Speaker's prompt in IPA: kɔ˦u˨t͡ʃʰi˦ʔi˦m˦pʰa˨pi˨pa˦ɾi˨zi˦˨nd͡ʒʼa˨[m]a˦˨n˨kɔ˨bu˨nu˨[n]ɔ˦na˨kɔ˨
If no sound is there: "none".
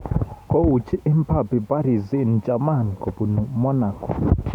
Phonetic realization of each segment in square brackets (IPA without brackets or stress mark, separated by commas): m, m